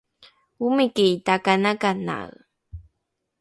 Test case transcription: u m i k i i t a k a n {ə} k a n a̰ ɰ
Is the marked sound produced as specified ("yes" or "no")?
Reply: no